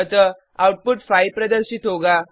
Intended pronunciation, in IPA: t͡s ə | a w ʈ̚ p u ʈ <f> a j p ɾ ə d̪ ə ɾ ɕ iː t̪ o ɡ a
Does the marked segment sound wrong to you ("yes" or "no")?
no